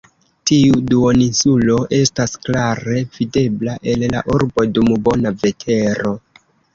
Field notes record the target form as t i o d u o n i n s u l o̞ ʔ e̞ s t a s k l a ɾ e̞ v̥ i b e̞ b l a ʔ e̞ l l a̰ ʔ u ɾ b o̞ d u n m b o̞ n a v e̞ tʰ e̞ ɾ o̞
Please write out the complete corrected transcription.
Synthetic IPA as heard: t i u d u o n i n s u l o̞ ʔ e̞ s t a s k l a ɾ e̞ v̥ i d e̞ b l a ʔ e̞ l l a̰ ʔ u ɾ b o̞ d u m b o̞ n a v e̞ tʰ e̞ ɾ o̞

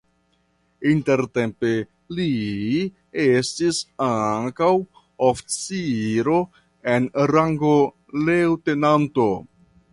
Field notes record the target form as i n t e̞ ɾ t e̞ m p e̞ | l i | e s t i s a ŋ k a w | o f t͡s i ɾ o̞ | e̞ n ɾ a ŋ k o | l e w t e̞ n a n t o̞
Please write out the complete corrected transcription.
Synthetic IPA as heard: i n t e̞ ɾ t e̞ m p e̞ | l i | e s t i s a ŋ k a w | o f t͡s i ɾ o̞ | e̞ n ɾ a ŋ ɡ o | l e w t e̞ n a n t o̞

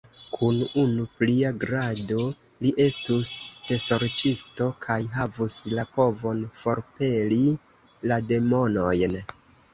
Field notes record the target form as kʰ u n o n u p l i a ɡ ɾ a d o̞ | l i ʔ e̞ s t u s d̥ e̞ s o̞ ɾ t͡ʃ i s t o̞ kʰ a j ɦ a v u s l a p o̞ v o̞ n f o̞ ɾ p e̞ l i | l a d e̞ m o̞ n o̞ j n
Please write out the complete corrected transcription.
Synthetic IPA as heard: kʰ u n u n u p l i a ɡ ɾ a d o̞ | l i ʔ e̞ s t u s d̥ e̞ s o̞ ɾ t͡ʃ i s t o̞ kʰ a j ɦ a v u s l a p o̞ v o̞ n f o̞ ɾ p e̞ l i | l a d e̞ m o̞ n o̞ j n

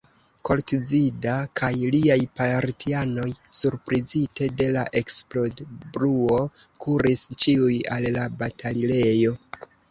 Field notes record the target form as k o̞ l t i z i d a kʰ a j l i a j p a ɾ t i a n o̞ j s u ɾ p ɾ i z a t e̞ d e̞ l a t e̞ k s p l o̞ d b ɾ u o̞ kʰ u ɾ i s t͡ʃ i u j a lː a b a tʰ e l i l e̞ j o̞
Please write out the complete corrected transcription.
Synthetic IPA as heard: k o̞ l t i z i d a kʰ a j l i a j p a ɾ t i a n o̞ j s u ɾ p ɾ i z i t e̞ d e̞ l a ʔ e̞ k s p l o̞ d b ɾ u o̞ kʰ u ɾ i s t͡ʃ i u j a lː a b a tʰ a l i l e̞ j o̞

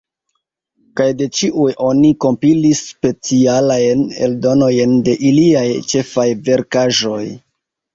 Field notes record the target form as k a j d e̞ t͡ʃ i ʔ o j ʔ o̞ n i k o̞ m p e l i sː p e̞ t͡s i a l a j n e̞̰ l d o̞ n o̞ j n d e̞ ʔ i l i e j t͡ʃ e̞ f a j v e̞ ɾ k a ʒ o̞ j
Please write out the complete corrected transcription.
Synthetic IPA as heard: k a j d e̞ t͡ʃ i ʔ u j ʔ o̞ n i k o̞ m p i l i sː p e̞ t͡s i a l a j n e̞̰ l d o̞ n o̞ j n d e̞ ʔ i l i a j t͡ʃ e̞ f a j v e̞ ɾ k a ʒ o̞ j

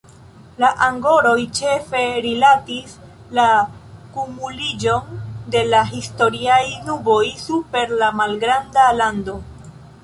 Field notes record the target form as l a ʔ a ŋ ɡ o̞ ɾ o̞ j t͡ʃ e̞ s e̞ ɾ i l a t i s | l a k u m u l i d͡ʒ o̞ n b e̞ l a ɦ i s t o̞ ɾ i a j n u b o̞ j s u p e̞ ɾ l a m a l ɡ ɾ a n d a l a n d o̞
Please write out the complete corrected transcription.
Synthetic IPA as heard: l a ʔ a ŋ ɡ o̞ ɾ o̞ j t͡ʃ e̞ f e̞ ɾ i l a t i s | l a k u m u l i d͡ʒ o̞ n d e̞ l a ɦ i s t o̞ ɾ i a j n u b o̞ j s u p e̞ ɾ l a m a l ɡ ɾ a n d a l a n d o̞

